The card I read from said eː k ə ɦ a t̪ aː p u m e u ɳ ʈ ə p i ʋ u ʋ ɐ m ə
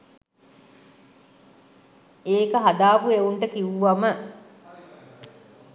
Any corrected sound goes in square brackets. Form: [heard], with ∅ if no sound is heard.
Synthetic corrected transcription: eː k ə ɦ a [d̪] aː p u [∅] e u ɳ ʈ ə [k] i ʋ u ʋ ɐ m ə